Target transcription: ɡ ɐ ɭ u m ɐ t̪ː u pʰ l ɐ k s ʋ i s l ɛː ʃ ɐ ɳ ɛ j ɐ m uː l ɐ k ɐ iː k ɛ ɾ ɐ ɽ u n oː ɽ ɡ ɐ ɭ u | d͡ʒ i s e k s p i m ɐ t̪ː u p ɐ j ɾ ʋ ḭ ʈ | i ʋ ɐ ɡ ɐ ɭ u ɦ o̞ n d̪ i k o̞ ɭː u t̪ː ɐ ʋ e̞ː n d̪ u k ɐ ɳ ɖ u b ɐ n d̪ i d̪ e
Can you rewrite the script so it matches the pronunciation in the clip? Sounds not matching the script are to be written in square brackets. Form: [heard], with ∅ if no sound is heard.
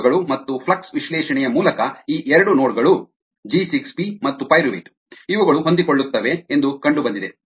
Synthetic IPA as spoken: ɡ ɐ ɭ u m ɐ t̪ː u pʰ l ɐ k s ʋ i [ʃ] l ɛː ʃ ɐ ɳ ɛ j ɐ m uː l ɐ k ɐ iː [ʔ] ɛ ɾ ɐ ɽ u n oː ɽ ɡ ɐ ɭ u | d͡ʒ i s [i] k s p i m ɐ t̪ː u p ɐ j ɾ ʋ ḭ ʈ | i ʋ ɐ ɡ ɐ ɭ u ɦ o̞ n d̪ i k o̞ ɭː u t̪ː ɐ ʋ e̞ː n d̪ u k ɐ ɳ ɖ u b ɐ n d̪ i d̪ e